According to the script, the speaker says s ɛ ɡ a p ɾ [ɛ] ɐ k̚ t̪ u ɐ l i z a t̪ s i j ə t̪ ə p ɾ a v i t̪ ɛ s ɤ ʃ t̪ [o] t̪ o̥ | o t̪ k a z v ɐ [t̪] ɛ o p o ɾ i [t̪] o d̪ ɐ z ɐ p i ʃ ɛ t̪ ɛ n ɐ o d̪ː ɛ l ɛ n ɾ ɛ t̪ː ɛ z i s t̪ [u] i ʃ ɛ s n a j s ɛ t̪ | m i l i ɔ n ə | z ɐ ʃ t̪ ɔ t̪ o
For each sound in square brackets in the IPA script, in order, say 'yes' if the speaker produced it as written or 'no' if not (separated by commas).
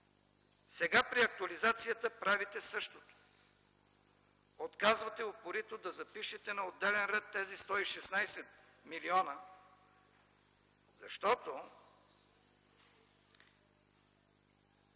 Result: no, yes, yes, yes, no